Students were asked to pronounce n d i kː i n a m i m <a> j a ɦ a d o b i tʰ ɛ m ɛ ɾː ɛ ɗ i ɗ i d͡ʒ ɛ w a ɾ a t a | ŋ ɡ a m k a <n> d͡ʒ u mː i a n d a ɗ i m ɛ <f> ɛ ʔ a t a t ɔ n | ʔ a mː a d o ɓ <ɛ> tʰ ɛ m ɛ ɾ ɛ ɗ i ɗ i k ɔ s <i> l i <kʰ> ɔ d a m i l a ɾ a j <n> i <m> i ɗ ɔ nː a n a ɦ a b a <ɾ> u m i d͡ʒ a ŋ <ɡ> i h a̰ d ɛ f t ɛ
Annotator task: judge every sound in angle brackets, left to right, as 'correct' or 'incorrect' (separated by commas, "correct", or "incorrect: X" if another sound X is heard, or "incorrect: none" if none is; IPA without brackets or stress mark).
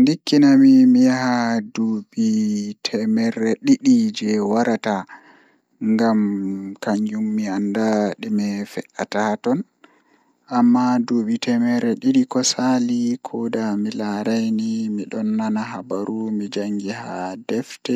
incorrect: i, incorrect: ɲ, correct, incorrect: i, incorrect: a, correct, correct, correct, correct, correct